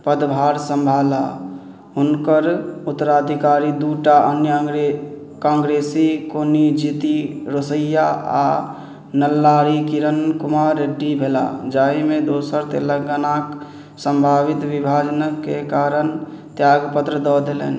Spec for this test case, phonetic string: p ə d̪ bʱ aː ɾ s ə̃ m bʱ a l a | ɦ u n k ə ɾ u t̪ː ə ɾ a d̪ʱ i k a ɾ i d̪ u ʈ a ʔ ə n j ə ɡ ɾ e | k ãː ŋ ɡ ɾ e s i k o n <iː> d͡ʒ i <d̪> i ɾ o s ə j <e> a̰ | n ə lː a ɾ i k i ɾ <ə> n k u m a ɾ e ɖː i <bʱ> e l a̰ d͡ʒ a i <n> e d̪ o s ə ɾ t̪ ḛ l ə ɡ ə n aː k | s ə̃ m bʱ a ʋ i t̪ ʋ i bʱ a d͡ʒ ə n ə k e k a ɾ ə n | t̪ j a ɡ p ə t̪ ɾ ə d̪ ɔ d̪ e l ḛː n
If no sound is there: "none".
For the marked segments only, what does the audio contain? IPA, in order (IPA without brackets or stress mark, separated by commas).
i, t̪, a, ə, bʱ, m